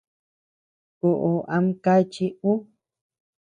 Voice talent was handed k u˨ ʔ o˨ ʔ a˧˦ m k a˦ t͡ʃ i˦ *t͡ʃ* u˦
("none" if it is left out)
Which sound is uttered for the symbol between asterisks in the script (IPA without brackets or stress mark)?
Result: none